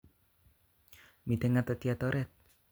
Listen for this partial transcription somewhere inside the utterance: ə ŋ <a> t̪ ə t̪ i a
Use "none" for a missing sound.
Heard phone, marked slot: a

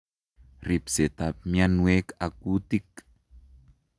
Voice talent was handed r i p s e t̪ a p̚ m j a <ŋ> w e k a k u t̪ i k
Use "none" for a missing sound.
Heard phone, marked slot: n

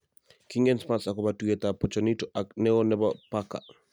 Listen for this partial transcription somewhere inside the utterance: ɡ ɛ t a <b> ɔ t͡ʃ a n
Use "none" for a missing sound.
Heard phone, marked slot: p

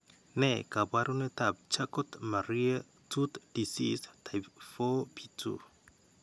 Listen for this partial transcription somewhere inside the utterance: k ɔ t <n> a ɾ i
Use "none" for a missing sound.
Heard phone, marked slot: m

